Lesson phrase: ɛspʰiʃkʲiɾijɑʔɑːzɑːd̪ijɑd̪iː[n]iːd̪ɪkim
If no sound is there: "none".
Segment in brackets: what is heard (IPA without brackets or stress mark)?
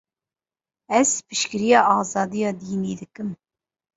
n